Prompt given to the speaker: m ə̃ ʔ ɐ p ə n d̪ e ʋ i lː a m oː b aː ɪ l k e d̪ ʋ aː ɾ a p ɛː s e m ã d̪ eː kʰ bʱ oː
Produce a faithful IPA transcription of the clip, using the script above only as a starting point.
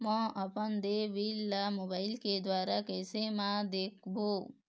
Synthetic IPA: m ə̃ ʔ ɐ p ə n d̪ e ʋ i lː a m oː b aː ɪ l k e d̪ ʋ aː ɾ a k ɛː s e m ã d̪ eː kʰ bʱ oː